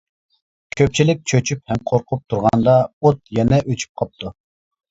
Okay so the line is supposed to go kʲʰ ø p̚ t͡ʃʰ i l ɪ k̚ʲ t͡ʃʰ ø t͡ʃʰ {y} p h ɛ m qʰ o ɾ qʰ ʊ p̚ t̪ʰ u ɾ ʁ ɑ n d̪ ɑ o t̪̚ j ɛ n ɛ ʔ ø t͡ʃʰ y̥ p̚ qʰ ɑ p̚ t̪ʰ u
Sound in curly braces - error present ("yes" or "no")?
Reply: no